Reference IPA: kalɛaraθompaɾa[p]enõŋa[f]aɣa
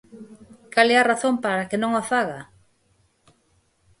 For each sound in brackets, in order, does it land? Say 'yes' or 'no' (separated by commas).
no, yes